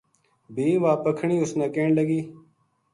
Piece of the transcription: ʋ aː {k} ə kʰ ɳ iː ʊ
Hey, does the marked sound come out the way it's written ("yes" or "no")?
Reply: no